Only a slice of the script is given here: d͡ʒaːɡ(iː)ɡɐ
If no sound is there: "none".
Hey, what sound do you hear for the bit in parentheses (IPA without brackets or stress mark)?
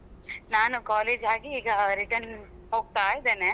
iː